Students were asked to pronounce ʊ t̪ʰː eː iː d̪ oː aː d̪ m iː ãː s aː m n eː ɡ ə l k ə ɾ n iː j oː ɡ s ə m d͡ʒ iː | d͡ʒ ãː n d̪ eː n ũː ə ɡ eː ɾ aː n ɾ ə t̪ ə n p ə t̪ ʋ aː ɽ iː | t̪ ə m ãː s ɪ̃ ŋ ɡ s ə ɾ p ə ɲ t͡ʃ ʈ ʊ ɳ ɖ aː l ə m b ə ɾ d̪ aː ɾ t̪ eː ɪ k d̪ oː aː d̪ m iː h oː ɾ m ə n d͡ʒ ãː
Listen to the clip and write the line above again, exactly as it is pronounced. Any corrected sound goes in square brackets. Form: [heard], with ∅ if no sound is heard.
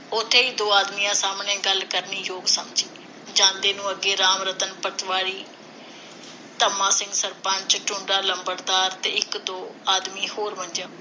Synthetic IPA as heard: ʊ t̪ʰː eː iː d̪ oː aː d̪ m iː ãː s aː m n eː ɡ ə l k ə ɾ n iː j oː ɡ s ə m d͡ʒ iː | d͡ʒ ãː n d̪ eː n ũː ə ɡ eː ɾ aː [m] ɾ ə t̪ ə n p ə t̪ ʋ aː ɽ iː | t̪ ə m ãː s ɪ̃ ŋ ɡ s ə ɾ p ə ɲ t͡ʃ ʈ ʊ ɳ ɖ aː l ə m b ə ɾ d̪ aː ɾ t̪ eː ɪ k d̪ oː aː d̪ m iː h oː ɾ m ə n d͡ʒ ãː